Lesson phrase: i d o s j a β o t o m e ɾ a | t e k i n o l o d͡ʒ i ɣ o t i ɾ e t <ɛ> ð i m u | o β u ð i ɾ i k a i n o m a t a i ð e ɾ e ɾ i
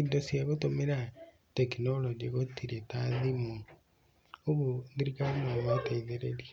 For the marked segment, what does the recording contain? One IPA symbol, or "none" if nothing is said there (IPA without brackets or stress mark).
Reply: a